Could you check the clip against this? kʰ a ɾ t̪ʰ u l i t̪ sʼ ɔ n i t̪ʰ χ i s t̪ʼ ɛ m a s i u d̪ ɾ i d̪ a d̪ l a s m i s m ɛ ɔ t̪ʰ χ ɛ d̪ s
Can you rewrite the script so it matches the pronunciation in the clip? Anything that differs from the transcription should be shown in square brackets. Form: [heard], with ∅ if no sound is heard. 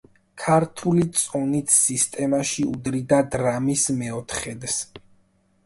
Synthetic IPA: kʰ a ɾ t̪ʰ u l i t̪ sʼ ɔ n i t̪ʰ [s] i s t̪ʼ ɛ m a [ʃ] i u d̪ ɾ i d̪ a d̪ [ɾ] a [∅] m i s m ɛ ɔ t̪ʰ χ ɛ d̪ s